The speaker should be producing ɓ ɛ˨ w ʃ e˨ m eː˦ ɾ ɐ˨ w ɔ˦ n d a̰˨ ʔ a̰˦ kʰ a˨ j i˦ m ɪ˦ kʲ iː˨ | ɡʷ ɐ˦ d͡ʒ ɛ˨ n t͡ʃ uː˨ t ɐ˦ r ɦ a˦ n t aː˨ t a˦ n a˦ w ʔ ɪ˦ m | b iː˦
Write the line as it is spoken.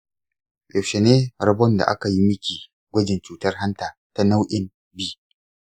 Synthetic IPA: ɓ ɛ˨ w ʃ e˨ n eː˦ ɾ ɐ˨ b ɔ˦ n d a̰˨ ʔ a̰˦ k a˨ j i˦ m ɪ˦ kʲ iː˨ | ɡʷ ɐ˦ d͡ʒ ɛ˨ n t͡ʃ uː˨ t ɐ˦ r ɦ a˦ n t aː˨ t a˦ n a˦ w ʔ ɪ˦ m | b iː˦